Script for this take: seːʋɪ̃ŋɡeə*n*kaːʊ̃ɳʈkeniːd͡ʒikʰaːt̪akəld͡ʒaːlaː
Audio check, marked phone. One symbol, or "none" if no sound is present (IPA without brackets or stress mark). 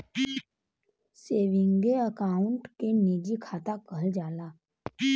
none